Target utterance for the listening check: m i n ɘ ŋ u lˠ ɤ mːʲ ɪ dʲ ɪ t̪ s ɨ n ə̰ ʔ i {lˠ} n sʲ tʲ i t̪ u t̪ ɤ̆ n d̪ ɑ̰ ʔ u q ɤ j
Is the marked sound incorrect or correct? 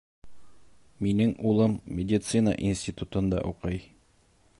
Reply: incorrect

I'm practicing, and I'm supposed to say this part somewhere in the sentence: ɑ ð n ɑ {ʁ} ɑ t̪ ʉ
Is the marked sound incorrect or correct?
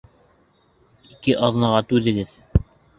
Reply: correct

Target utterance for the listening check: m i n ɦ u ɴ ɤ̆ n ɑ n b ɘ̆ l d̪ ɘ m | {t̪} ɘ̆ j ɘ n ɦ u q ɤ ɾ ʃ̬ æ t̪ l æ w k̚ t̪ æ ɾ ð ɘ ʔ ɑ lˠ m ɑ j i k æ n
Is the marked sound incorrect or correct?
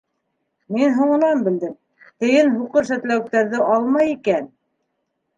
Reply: correct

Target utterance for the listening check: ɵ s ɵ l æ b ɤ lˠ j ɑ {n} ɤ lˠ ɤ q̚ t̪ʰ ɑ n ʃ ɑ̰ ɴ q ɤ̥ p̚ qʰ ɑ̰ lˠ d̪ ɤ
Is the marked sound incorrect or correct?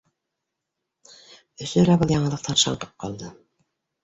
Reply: incorrect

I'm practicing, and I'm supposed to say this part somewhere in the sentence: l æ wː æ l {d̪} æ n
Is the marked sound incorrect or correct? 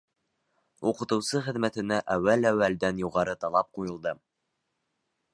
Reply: correct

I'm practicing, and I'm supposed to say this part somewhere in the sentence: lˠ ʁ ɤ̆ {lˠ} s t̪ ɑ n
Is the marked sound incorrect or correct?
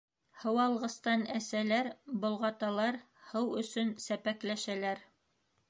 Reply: incorrect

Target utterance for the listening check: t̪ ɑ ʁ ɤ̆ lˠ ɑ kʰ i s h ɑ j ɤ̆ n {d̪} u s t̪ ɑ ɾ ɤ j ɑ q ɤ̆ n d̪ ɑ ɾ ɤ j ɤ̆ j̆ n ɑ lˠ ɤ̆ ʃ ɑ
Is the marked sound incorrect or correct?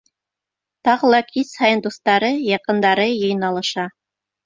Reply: correct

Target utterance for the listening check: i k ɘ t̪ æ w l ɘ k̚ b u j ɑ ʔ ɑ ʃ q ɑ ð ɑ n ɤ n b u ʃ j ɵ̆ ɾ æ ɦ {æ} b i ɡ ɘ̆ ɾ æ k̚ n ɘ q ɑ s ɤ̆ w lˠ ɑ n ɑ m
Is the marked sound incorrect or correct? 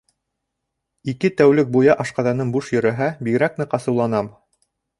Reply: correct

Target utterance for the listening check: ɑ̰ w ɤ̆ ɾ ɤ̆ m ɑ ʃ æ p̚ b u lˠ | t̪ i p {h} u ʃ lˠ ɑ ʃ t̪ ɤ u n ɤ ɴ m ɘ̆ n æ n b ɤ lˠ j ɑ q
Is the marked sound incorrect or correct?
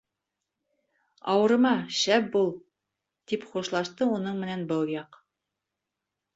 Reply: incorrect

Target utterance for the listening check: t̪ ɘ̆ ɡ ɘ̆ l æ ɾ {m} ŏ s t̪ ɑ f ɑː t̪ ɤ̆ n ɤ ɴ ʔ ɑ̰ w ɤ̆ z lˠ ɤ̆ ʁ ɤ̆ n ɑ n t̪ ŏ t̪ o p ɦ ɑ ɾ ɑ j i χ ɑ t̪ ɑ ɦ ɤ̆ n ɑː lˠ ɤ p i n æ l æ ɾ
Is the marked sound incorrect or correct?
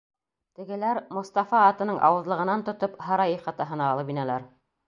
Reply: correct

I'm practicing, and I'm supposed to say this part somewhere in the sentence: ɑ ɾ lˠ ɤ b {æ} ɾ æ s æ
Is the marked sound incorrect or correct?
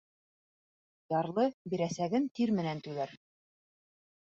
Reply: incorrect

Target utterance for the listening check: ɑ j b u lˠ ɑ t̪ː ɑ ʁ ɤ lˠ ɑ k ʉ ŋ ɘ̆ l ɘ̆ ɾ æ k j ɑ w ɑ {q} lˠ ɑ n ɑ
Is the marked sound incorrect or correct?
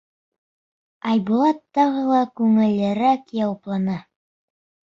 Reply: incorrect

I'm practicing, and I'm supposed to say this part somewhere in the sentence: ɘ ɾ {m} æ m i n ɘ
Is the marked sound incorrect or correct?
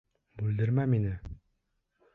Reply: correct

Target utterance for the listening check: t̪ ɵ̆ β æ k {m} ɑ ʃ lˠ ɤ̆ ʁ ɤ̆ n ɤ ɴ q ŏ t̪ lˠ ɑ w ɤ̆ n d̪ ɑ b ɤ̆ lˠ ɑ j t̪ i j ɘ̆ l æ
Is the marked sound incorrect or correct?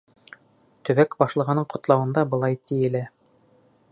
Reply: incorrect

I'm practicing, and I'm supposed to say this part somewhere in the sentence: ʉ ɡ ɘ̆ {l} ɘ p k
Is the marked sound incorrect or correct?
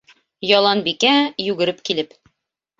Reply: incorrect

